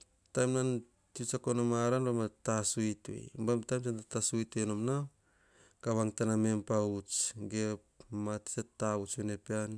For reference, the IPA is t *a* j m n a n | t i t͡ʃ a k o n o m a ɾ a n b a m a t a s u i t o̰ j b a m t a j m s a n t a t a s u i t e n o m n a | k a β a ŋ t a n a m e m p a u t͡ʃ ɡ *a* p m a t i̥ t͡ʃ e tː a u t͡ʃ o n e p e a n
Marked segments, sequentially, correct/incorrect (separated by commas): correct, incorrect